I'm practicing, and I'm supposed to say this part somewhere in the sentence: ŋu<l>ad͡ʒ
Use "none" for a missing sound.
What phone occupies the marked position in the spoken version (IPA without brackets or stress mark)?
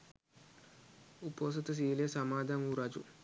ɾ